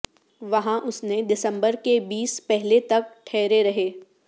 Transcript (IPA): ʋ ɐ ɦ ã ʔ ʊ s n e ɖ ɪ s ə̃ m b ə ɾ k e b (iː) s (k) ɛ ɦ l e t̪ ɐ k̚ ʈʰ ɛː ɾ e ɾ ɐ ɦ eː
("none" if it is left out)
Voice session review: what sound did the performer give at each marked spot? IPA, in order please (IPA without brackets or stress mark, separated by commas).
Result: iː, p